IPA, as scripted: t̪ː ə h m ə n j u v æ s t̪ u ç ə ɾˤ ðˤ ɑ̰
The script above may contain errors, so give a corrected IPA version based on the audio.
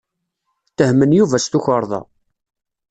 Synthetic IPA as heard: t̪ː ə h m ə n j u v æ s t̪ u ç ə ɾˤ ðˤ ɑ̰

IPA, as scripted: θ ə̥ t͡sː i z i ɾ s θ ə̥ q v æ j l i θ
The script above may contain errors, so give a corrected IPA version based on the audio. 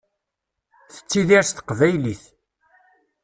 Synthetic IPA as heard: θ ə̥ t͡sː i ð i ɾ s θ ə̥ q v æ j l i θ

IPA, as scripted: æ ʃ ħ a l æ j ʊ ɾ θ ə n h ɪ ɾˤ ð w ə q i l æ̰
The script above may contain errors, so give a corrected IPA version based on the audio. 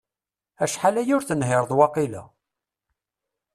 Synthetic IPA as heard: æ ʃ ħ a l æ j ʊ ɾ θ ə n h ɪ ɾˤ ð w ɑ q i l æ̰

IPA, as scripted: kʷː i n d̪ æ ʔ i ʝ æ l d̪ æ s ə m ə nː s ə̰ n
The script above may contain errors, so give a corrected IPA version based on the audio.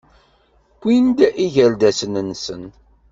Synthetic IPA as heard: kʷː i n d̪ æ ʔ i ʝ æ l d̪ æ s ə n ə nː s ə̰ n

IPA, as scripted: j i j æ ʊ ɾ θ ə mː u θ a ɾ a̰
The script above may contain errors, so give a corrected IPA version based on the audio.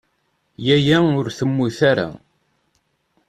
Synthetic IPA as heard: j æ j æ ʊ ɾ θ ə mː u θ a ɾ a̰

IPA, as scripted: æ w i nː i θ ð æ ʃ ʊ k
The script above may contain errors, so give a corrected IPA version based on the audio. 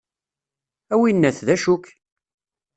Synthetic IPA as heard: æ w i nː æ θ ð æ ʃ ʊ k

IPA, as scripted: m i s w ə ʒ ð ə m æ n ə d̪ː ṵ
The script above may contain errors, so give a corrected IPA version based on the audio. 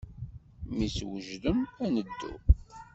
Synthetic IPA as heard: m i s w ə ʒ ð ə m æ n ə d̪ː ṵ

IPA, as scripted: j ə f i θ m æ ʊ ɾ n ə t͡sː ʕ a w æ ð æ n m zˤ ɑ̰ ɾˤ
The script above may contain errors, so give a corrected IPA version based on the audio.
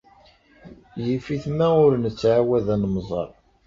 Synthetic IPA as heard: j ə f i θ m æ ʊ ɾ n ə t͡sː ʕ a w æ ð æ n m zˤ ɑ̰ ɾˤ

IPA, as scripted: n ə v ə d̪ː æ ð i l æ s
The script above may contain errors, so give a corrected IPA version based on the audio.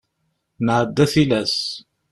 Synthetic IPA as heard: n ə ʕ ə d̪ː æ θ i l æ s

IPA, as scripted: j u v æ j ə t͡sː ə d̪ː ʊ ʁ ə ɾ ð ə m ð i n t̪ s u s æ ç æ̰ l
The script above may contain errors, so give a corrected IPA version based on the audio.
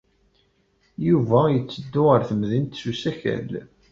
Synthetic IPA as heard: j u v æ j ə t͡sː ə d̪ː ʊ ʁ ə ɾ θ ə m ð i n t̪ s u s æ ç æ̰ l

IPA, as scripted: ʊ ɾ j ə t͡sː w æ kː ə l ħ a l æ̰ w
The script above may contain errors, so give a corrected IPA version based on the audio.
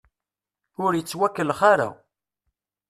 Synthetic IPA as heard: ʊ ɾ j ə t͡sː w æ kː ə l χ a ɾ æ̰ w

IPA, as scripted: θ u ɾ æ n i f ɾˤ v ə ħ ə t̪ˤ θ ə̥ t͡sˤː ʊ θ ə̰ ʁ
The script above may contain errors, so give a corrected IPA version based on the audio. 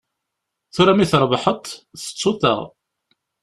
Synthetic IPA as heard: θ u ɾ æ m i θ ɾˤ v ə ħ ə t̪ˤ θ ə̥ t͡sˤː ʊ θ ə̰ ʁ

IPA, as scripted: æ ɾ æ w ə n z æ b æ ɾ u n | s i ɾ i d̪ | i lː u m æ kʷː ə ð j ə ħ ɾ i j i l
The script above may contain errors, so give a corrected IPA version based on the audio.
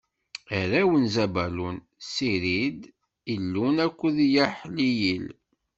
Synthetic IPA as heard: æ ɾ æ w ə n z æ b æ l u n | s i ɾ i d̪ | i lː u n æ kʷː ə ð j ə ħ l i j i l

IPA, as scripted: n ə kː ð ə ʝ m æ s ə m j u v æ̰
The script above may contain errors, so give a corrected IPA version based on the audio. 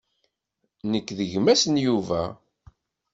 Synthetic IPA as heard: n ə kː ð ə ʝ m æ s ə n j u v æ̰

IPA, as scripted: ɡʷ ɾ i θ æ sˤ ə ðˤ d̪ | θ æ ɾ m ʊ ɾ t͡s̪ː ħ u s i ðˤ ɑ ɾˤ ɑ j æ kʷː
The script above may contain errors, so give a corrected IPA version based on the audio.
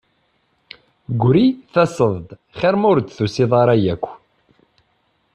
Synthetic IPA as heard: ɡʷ ɾ i θ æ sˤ ə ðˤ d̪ | χ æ ɾ m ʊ ɾ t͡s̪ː θ u s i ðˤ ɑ ɾˤ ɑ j æ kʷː

